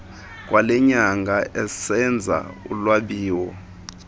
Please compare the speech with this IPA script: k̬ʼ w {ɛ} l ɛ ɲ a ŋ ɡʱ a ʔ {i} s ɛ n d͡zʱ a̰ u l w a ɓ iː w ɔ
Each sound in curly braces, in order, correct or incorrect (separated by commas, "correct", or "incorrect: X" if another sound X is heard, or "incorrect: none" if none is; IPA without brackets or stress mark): incorrect: a, incorrect: ɛ